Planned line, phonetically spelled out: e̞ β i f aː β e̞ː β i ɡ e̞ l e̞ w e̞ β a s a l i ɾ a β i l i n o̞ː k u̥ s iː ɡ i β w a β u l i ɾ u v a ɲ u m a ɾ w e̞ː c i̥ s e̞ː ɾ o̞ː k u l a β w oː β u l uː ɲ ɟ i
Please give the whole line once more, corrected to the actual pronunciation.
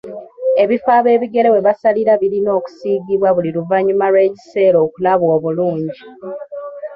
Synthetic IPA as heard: e̞ β i f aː β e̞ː β i ɡ e̞ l e̞ w e̞ β a s a l i ɾ a β i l i n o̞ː k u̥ s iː ɡ i β w a β u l i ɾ u v a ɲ u m a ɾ w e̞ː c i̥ s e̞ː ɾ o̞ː k u l a β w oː β u l uː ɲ ɟ i